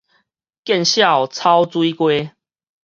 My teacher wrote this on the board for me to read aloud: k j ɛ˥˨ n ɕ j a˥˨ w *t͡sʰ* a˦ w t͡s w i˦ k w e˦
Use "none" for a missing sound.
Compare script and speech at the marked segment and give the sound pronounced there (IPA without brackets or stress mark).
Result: t͡sʰ